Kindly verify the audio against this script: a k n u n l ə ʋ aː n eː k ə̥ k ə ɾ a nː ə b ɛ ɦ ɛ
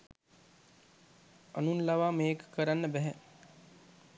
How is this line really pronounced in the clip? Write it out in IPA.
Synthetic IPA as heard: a n u n l a ʋ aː m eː k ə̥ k ə ɾ a nː ə b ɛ ɦ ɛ